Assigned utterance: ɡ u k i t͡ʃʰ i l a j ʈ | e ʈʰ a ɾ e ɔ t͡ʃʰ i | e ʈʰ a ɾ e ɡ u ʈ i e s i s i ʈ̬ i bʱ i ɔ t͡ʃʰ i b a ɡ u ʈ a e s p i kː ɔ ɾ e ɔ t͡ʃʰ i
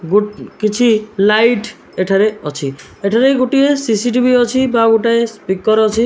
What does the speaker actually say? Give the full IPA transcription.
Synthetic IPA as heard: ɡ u k i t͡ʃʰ i l a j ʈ | e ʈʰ a ɾ e ɔ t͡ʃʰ i | e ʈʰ a ɾ e ɡ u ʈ i e s i s i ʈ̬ i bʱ i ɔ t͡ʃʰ i b a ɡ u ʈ a e s p i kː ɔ ɾ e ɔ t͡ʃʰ i